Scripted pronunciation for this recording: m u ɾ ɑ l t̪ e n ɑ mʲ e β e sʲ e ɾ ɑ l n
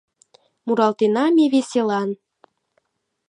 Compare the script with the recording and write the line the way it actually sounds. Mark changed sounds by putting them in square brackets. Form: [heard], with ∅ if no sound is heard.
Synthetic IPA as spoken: m u ɾ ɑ l t̪ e n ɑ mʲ e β e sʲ e [l] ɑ [∅] n